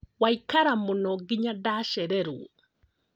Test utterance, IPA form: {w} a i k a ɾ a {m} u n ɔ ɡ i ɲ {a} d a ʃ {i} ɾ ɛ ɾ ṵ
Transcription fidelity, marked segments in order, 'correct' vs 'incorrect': correct, correct, correct, incorrect

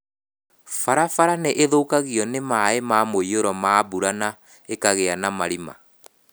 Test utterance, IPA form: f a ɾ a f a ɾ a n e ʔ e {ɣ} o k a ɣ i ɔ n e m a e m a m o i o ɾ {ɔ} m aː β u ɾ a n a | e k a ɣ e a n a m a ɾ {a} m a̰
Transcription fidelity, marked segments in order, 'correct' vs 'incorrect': incorrect, correct, incorrect

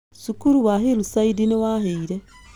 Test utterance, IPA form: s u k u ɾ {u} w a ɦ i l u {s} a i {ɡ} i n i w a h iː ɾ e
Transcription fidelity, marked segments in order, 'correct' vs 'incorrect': correct, correct, incorrect

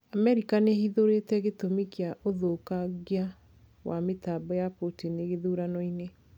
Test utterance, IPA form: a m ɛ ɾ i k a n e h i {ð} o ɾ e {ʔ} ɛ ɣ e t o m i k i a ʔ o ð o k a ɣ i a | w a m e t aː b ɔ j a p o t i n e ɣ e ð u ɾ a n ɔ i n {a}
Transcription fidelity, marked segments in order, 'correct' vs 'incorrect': correct, incorrect, incorrect

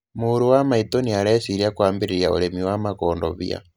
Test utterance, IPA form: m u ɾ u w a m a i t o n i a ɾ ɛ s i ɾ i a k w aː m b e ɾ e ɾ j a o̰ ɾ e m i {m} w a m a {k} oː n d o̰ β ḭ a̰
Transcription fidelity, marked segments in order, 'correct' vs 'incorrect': incorrect, correct

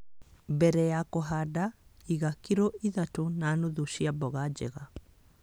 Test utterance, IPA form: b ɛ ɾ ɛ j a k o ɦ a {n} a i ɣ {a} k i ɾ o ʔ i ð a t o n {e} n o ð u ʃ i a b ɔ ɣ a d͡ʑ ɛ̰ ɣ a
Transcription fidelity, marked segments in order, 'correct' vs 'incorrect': incorrect, correct, incorrect

